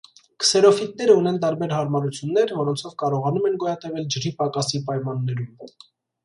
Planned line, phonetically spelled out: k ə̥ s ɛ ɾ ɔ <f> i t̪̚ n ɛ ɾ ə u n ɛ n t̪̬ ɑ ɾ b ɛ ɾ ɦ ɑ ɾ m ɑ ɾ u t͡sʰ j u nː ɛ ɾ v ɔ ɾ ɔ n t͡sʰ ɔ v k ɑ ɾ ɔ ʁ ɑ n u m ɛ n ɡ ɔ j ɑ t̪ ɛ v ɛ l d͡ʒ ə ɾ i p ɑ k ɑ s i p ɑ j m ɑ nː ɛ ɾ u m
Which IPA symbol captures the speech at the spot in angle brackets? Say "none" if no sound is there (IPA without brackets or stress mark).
f